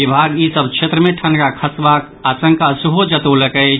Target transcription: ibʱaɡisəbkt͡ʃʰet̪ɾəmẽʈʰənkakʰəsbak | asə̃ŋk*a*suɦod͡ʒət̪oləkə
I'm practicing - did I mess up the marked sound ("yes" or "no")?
no